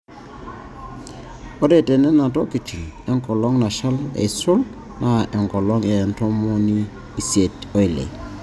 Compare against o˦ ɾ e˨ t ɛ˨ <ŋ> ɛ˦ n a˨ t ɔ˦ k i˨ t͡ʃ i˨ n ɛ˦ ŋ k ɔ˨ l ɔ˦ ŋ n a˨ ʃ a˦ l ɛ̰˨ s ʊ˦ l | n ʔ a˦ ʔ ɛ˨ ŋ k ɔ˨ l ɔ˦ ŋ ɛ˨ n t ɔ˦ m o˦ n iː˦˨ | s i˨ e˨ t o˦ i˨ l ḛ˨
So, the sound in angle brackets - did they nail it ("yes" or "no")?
no